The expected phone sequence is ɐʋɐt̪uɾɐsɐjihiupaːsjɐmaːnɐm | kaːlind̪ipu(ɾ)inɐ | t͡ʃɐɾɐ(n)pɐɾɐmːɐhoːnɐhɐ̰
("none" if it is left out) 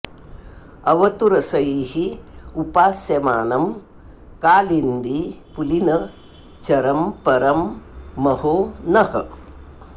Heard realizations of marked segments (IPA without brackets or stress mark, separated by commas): l, m